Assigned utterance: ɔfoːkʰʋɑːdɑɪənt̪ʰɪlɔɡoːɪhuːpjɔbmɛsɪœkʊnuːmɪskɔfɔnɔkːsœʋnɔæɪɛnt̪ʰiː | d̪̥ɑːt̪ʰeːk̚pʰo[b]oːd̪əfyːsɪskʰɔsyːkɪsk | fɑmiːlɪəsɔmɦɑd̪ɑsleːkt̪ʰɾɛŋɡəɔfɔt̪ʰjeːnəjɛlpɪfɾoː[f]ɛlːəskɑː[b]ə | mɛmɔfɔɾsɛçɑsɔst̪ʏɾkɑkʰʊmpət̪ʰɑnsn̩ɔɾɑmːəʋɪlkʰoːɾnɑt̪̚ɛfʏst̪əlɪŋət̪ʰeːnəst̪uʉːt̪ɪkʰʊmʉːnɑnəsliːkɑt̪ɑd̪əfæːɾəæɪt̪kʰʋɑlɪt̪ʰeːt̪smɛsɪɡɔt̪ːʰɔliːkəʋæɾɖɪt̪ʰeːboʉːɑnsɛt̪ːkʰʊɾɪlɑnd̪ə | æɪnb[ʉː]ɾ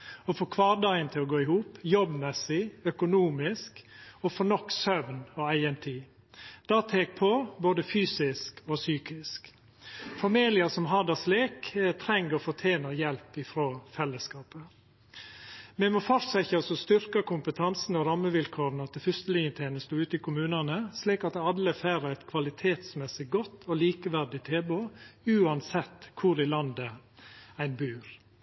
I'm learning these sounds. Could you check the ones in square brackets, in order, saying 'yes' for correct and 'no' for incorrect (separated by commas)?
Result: yes, yes, no, yes